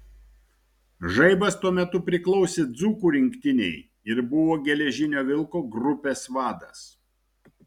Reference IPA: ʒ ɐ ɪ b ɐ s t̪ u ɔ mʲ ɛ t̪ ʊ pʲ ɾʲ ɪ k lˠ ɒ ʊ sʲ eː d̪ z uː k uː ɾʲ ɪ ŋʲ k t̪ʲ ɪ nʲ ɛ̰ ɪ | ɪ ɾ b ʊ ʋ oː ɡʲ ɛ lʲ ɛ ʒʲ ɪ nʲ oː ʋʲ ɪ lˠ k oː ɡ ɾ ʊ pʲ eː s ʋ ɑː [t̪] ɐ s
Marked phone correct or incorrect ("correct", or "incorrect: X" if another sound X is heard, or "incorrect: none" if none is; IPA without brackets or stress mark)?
incorrect: d̪